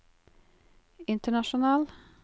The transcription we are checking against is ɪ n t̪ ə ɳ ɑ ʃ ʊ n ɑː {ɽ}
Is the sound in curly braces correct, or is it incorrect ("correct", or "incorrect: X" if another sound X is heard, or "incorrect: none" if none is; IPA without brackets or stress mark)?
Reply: incorrect: l